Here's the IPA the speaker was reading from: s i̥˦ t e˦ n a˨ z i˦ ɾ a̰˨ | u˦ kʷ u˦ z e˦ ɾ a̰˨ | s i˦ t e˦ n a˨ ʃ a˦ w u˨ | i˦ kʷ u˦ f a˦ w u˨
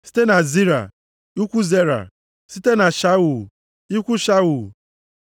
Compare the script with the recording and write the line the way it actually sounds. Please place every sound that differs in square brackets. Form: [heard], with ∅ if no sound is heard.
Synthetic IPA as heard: s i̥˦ t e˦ n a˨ z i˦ ɾ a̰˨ | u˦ kʷ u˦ z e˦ ɾ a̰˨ | s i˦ t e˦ n a˨ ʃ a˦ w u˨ | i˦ kʷ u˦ [ʃ] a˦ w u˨